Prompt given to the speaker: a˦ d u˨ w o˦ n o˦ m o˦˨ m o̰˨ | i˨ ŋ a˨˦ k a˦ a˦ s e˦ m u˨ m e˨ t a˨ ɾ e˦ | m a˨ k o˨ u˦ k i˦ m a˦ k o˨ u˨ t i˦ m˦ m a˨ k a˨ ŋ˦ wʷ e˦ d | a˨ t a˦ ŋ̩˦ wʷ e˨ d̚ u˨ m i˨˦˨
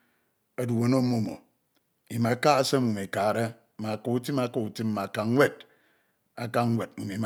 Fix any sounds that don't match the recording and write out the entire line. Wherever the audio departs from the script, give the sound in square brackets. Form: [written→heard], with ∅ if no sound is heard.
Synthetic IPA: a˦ d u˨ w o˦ n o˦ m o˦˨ m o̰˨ | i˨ [ŋ→m] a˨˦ k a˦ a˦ s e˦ m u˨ m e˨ [t→k] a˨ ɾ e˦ | m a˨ k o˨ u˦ [k→t] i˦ m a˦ k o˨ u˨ t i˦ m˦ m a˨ k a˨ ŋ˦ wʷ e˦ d | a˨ [t→k] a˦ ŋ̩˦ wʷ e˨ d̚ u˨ m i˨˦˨